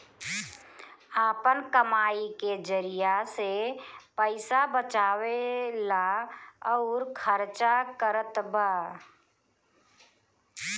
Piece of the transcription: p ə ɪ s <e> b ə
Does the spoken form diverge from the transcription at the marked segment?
yes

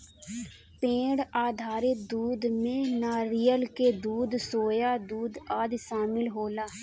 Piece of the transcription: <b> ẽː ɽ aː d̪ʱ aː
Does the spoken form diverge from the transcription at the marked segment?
yes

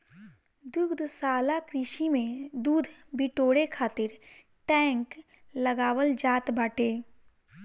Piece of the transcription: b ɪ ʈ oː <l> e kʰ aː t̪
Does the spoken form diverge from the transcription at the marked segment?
yes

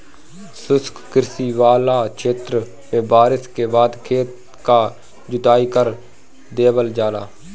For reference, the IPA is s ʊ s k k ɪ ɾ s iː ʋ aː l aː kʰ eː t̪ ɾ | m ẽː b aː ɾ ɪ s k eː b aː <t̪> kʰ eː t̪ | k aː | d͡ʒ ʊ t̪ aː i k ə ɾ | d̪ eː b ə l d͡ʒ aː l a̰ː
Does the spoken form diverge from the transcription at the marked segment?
yes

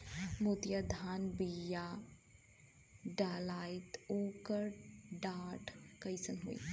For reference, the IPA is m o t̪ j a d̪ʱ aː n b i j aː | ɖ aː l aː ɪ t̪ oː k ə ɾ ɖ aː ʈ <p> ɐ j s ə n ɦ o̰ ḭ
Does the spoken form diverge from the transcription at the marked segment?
yes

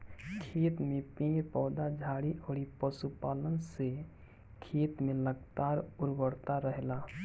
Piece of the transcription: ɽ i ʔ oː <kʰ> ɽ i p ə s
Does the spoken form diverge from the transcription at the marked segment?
yes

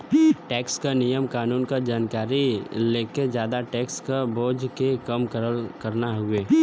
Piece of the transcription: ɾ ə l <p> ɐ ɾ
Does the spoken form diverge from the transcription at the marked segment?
yes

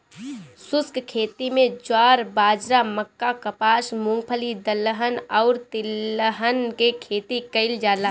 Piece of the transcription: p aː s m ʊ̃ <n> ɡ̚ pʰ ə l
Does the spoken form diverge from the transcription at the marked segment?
yes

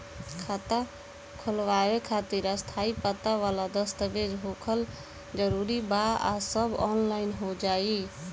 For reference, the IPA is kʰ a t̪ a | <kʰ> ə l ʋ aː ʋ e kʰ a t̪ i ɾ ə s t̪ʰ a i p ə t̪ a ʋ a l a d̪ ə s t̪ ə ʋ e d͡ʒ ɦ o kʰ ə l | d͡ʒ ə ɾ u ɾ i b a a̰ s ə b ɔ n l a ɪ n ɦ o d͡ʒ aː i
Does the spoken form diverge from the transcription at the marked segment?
no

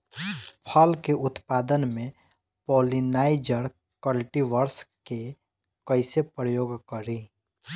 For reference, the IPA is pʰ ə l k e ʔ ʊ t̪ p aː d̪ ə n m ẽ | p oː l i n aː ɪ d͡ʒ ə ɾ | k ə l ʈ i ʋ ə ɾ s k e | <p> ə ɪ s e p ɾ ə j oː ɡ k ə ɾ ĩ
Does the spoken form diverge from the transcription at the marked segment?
yes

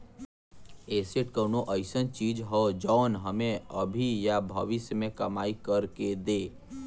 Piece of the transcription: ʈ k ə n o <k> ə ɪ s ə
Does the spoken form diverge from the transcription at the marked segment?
yes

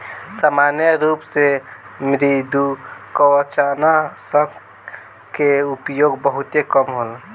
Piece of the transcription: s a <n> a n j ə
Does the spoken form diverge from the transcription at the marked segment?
yes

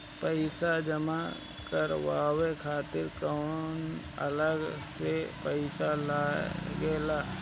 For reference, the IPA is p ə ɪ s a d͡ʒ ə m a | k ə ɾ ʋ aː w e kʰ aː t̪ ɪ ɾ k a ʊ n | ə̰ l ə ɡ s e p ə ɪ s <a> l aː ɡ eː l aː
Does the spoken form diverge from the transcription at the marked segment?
no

